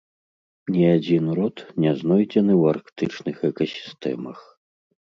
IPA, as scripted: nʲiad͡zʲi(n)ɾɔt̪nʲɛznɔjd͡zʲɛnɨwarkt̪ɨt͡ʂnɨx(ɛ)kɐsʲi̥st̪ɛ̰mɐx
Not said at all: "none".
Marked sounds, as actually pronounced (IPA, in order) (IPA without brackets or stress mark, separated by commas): n, ɛ